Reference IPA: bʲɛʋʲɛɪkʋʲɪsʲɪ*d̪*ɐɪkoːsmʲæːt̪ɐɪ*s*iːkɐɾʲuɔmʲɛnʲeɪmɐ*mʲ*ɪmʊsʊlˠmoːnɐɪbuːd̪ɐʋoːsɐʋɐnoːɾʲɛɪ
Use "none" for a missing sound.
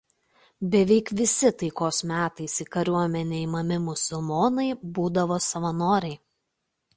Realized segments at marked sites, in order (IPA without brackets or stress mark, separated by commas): t̪, s, mʲ